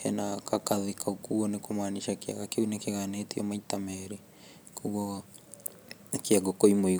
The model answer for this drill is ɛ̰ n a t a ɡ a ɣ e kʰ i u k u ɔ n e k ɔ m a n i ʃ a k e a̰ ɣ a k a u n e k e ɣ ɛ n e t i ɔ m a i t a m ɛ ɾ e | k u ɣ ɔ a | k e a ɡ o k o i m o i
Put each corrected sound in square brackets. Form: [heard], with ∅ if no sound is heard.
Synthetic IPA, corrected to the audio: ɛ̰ n a [k] a [k] a [ð] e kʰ [a] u k u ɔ n e k [o] m a n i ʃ a k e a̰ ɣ a k [e] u n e k e ɣ [a] n e t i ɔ m a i t a m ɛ ɾ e | k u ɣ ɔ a | k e a ɡ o k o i m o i